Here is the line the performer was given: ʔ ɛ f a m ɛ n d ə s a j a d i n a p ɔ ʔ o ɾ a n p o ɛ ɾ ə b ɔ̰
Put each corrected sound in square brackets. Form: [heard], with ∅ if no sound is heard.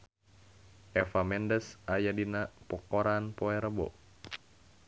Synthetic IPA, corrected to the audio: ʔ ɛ f a m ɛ n d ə s a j a d i n a p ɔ [k] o ɾ a n p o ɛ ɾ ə b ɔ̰